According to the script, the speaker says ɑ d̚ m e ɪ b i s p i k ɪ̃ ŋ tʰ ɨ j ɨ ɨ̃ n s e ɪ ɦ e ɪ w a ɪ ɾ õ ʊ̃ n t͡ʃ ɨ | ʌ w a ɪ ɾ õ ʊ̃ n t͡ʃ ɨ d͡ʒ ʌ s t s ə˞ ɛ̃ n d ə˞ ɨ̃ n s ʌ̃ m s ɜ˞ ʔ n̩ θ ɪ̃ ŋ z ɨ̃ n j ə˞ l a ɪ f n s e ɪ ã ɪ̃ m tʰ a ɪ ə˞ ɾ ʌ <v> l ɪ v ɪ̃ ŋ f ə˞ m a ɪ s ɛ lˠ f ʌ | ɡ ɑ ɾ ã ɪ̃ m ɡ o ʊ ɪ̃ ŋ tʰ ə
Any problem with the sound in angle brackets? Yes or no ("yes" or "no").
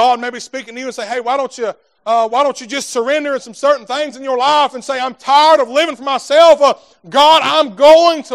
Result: no